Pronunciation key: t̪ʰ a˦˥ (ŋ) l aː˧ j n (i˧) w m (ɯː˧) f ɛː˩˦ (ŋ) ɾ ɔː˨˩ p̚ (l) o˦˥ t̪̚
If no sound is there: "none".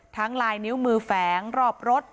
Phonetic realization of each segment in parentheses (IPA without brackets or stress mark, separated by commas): ŋ, i˦˥, ɯː˧, ŋ, ɾ